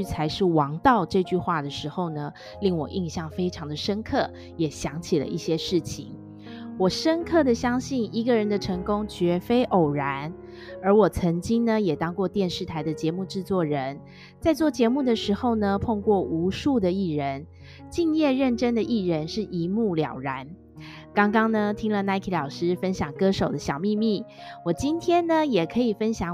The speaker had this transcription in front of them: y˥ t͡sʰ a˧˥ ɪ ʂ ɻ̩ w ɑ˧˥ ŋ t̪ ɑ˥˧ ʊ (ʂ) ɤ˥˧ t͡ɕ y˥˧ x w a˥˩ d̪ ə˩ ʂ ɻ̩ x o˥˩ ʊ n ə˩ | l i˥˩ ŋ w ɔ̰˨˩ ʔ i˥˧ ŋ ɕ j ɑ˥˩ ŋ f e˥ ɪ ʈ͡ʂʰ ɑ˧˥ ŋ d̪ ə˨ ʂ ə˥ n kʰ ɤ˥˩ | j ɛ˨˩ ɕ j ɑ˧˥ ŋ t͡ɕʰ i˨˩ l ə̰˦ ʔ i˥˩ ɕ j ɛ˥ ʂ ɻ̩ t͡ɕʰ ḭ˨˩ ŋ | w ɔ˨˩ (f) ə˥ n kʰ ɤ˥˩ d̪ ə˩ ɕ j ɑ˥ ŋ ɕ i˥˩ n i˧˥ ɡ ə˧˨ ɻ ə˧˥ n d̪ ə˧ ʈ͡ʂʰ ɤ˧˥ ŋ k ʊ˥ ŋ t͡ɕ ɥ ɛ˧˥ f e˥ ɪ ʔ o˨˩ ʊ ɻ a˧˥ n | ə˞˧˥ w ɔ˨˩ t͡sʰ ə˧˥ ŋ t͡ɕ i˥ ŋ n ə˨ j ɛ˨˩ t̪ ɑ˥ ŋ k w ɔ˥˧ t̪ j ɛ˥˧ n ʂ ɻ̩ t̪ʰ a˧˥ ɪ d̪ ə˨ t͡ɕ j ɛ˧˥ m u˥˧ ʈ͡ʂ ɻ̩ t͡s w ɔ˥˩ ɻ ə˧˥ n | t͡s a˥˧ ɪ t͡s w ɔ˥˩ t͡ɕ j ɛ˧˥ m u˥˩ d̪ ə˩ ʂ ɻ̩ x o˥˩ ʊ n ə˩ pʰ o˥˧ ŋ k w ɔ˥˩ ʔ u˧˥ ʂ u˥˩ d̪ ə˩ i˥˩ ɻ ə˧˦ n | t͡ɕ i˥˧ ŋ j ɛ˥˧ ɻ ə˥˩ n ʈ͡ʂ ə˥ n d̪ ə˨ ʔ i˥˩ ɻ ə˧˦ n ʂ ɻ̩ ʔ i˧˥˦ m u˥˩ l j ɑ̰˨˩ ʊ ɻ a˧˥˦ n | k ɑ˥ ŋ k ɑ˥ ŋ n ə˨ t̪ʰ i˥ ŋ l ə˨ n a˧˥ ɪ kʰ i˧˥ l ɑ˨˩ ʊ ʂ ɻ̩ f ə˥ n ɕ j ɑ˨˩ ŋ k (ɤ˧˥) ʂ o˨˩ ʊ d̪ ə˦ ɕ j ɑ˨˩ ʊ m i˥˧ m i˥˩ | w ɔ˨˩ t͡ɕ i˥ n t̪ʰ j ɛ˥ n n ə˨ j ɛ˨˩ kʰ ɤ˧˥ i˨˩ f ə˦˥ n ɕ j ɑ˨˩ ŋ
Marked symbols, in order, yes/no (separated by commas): no, no, no